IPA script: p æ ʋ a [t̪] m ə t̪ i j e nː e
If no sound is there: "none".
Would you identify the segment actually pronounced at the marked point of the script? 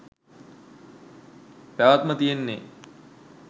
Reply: t̪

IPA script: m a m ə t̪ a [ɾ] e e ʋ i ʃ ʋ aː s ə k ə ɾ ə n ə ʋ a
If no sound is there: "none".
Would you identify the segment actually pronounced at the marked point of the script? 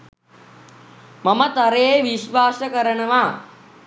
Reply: ɾ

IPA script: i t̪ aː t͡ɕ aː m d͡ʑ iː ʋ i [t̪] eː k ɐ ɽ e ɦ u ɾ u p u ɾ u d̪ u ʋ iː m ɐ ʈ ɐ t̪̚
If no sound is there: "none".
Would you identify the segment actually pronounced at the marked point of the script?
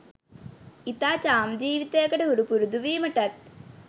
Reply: t̪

